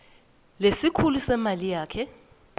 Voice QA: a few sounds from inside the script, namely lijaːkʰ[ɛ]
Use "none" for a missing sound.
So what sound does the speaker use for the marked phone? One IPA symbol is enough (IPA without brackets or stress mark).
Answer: ɛ